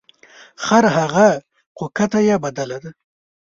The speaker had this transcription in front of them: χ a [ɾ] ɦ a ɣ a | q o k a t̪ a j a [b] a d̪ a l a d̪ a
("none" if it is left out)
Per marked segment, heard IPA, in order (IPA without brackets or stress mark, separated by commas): ɾ, b